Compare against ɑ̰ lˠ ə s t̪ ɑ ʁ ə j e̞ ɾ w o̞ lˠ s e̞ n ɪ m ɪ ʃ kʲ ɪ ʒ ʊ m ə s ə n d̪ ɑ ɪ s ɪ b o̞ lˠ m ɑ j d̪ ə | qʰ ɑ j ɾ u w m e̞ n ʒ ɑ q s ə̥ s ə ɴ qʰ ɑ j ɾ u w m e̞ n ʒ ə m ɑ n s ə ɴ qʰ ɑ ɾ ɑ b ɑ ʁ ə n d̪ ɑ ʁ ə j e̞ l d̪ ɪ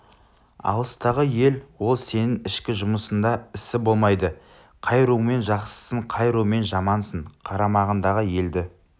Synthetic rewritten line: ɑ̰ lˠ ə s t̪ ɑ ʁ ə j e̞ l w o̞ lˠ s e̞ n ɪ ŋ ɪ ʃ kʲ ɪ ʒ ʊ m ə s ə n d̪ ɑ ɪ s ɪ b o̞ lˠ m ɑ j d̪ ə | qʰ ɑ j ɾ u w m e̞ n ʒ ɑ q s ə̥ s ə ɴ qʰ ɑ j ɾ u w m e̞ n ʒ ɑ m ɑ n s ə ɴ qʰ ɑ ɾ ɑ m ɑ ʁ ə n d̪ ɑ ʁ ə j e̞ l d̪ ɪ